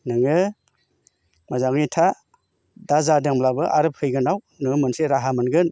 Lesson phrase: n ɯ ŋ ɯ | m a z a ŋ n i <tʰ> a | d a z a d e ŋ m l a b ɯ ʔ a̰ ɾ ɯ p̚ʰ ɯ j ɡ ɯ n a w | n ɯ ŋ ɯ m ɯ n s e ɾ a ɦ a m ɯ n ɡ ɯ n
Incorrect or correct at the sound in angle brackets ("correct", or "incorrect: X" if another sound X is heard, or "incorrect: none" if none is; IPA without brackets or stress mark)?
correct